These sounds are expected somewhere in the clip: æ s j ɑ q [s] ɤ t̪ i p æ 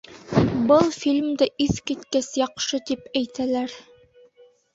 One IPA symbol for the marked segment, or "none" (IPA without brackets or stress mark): ʃ